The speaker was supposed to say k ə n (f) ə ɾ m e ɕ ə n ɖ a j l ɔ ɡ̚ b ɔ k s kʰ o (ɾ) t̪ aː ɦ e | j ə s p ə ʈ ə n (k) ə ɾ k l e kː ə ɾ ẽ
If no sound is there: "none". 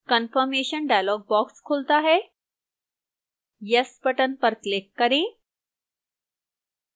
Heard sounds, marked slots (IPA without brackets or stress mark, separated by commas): f, l, p